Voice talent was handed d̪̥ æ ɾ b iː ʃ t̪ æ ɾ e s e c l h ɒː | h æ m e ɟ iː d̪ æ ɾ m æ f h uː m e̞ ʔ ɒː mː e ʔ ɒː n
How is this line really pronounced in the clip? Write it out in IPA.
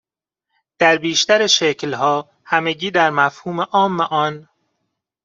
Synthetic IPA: d̪̥ æ ɾ b iː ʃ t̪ æ ɾ e ʃ e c l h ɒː | h æ m e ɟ iː d̪ æ ɾ m æ f h uː m e̞ ʔ ɒː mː e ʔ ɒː n